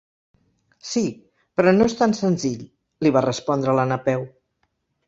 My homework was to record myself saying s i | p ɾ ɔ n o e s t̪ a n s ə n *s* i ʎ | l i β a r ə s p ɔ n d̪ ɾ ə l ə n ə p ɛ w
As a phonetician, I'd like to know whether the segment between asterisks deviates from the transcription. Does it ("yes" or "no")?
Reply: yes